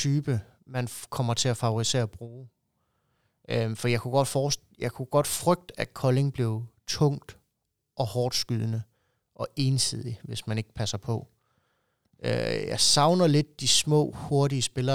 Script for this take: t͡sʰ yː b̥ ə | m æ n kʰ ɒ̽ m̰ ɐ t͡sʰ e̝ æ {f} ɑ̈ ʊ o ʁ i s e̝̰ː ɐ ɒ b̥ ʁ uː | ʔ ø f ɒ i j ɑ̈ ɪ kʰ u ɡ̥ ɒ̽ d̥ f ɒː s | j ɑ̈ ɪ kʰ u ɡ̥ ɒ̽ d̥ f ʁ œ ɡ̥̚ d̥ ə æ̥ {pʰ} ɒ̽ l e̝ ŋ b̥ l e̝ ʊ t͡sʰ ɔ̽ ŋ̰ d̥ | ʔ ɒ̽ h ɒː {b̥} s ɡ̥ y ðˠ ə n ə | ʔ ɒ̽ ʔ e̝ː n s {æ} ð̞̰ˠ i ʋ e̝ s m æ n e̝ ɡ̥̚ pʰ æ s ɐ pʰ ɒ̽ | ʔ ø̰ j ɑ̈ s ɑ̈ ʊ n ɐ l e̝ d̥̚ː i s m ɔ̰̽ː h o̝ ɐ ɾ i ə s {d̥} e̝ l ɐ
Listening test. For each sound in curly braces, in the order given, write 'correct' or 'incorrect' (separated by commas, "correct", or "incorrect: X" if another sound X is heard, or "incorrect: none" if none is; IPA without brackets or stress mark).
correct, incorrect: kʰ, incorrect: d̥, incorrect: i, incorrect: b̥